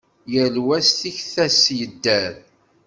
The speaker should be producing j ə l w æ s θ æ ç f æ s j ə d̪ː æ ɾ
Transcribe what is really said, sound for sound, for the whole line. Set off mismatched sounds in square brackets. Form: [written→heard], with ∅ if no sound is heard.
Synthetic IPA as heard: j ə l w æ s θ [æ→i] ç [f→θ] æ s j ə d̪ː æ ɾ